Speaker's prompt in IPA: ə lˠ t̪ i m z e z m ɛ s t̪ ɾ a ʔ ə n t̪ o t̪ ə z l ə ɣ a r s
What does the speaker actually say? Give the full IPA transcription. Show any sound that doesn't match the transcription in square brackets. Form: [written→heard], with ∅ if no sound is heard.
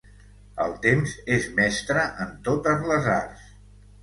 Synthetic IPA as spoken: ə lˠ t̪ [i→e] m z e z m ɛ s t̪ ɾ [a→ə] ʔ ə n t̪ o t̪ ə z l ə [ɣ→z] a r s